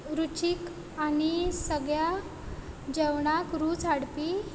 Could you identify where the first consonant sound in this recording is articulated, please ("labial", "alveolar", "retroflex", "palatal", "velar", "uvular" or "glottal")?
alveolar